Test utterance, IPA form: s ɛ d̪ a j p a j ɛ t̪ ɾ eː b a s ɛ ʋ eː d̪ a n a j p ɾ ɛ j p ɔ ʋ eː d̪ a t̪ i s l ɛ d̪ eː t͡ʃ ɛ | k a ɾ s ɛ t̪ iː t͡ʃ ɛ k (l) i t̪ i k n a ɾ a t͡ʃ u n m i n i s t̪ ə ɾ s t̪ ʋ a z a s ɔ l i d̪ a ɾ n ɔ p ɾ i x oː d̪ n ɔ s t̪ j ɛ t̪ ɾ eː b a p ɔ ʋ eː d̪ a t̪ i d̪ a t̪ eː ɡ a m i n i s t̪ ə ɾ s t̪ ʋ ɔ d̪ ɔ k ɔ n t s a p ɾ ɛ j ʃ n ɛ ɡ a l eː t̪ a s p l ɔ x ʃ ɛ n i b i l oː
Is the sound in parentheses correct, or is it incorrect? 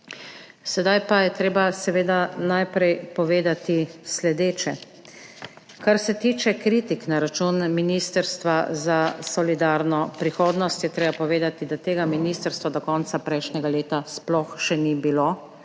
incorrect